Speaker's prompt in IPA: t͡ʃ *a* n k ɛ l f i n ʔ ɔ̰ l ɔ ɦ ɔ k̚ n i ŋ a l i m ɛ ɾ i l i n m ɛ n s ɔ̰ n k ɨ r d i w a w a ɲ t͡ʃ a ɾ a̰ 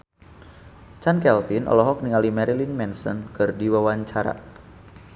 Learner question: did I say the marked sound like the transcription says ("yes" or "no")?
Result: yes